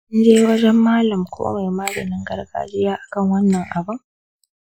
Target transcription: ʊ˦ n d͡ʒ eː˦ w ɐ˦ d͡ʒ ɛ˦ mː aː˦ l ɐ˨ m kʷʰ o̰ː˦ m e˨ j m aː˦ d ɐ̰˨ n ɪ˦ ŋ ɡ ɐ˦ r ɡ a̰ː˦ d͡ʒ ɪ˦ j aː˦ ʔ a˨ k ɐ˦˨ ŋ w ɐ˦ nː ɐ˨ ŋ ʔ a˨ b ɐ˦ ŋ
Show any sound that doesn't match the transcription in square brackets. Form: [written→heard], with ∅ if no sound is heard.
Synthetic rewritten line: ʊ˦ n d͡ʒ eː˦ w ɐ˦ d͡ʒ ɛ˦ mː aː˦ l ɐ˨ m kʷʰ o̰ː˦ m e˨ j m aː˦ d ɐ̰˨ n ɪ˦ ŋ ɡ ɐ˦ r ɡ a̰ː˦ d͡ʒ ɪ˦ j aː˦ ʔ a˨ k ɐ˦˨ ŋ w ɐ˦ nː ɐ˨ ŋ ʔ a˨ b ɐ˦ ŋ